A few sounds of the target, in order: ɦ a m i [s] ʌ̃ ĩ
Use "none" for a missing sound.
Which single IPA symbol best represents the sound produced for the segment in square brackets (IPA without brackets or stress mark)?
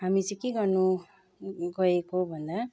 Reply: t͡s